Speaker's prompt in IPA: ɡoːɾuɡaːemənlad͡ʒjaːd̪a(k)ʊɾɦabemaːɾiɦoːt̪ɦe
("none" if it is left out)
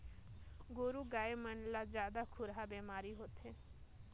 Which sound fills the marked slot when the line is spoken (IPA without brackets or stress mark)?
kʰ